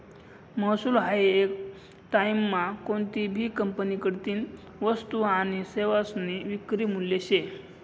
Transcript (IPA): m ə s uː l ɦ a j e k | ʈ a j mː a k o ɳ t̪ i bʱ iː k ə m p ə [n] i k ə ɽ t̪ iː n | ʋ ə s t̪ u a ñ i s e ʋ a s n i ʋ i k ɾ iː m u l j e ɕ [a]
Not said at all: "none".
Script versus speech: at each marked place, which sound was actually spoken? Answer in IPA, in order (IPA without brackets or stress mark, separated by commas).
n, e